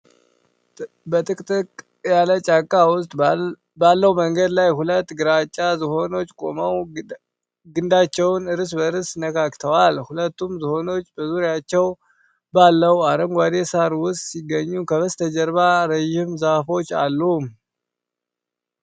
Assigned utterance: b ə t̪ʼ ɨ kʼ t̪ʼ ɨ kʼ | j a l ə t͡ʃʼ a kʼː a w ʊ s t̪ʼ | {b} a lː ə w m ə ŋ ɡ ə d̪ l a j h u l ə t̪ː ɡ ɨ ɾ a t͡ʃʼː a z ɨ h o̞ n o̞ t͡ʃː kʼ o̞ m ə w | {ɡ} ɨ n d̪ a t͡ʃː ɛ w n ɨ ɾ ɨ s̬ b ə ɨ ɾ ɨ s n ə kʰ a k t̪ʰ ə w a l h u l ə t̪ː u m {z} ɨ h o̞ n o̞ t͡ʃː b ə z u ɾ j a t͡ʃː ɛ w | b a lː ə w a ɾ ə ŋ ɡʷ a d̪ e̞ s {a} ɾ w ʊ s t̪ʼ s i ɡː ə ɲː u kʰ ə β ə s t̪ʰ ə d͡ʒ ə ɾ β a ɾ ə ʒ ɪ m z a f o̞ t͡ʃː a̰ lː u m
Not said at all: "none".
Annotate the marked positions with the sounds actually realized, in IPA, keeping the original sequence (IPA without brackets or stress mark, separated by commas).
b, ɡ, z, a